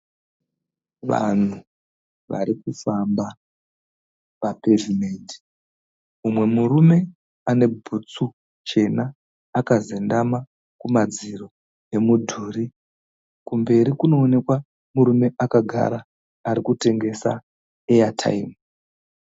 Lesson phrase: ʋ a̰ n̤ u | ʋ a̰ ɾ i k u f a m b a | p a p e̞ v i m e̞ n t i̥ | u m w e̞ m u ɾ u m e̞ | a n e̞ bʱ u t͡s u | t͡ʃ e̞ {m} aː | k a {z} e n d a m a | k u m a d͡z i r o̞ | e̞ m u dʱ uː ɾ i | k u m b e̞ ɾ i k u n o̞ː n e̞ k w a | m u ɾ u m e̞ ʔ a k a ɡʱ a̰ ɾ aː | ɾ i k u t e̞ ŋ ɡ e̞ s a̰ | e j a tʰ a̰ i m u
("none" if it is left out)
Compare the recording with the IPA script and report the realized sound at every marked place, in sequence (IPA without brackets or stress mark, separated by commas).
n, z